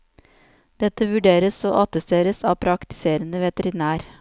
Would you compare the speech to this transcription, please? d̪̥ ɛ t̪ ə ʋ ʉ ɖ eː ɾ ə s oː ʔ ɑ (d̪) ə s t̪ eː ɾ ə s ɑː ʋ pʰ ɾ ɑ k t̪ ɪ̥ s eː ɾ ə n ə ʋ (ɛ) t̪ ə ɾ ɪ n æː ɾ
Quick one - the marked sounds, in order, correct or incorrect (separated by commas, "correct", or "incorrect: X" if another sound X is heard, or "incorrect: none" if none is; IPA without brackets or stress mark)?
incorrect: t̪, correct